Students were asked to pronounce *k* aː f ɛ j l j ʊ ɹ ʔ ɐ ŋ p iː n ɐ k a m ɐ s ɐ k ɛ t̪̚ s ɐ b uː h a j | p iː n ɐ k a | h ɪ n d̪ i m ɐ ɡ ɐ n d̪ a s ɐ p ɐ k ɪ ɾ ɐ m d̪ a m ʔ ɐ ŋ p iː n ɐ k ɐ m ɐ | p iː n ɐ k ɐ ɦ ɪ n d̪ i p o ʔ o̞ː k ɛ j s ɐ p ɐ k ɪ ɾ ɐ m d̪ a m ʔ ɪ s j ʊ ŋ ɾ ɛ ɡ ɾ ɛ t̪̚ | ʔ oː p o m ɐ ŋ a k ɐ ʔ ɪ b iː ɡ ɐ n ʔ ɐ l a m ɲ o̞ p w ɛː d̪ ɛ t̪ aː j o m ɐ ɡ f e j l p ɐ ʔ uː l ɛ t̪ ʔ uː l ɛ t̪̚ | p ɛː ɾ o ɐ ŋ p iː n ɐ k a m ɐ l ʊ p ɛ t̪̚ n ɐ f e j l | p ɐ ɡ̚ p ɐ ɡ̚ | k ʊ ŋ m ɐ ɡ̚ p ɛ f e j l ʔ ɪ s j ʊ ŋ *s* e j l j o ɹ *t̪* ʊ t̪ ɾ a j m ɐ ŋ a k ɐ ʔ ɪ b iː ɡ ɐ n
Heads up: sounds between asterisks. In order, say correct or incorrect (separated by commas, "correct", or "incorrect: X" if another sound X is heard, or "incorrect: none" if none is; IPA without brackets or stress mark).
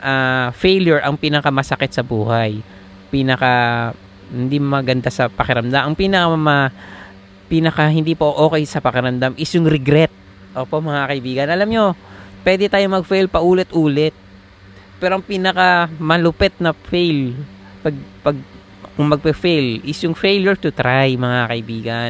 incorrect: ʔ, incorrect: f, correct